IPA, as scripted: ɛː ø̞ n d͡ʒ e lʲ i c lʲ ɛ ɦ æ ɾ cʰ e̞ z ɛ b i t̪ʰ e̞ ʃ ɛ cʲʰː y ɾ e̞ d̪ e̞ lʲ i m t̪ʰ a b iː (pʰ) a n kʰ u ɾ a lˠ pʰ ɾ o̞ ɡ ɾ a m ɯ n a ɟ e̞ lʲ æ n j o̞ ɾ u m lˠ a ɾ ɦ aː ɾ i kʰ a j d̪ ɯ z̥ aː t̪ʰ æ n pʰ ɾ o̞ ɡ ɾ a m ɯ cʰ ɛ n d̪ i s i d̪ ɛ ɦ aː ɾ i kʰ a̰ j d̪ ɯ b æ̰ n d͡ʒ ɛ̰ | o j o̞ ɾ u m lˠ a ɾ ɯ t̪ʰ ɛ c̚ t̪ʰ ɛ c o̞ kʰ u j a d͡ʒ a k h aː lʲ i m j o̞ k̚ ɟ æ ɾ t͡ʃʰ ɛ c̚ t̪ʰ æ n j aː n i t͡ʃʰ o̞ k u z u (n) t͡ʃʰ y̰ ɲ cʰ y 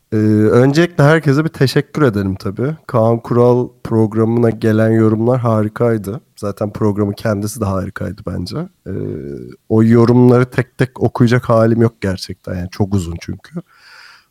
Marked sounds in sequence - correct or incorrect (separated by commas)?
incorrect, correct